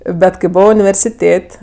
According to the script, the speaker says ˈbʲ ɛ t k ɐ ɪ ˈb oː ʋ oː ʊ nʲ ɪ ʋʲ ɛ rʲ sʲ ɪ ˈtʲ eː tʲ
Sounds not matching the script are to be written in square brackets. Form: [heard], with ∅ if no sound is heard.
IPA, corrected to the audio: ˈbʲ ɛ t k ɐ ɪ ˈb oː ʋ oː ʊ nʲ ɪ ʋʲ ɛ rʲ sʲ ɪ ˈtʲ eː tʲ